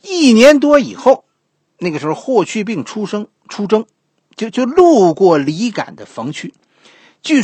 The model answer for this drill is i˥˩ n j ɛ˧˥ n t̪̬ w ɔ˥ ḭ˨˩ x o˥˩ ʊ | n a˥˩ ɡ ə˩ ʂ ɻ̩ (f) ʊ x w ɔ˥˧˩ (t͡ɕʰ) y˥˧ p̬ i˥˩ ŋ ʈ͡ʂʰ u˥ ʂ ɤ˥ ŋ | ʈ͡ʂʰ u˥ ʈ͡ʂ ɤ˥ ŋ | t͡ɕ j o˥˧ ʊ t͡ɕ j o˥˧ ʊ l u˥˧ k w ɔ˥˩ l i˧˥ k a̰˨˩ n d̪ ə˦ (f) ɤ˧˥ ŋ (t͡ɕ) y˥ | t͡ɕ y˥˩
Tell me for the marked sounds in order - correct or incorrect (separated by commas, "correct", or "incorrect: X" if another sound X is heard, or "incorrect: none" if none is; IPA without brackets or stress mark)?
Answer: incorrect: x, correct, correct, incorrect: t͡ɕʰ